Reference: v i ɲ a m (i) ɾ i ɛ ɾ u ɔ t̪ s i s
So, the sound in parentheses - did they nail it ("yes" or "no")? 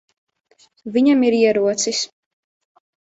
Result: yes